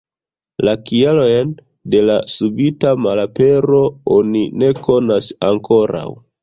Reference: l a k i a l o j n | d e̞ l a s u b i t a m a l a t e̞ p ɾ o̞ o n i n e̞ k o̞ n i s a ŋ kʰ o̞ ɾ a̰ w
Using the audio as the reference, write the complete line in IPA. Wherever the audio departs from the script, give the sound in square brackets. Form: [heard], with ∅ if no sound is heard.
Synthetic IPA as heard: l a k i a l o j n | d e̞ l a s u b i t a m a l a [p] e̞ [∅] ɾ o̞ o n i n e̞ k o̞ n [a] s a ŋ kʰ o̞ ɾ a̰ w